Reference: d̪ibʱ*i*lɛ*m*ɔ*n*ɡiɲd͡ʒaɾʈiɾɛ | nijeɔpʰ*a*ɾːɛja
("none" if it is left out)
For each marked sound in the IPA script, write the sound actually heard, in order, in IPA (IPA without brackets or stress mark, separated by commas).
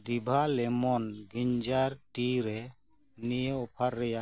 a, m, n, a